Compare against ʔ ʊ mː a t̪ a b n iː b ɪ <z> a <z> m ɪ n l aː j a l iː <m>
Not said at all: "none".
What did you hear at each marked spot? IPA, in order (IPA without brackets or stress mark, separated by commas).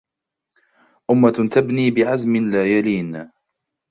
ʕ, z, n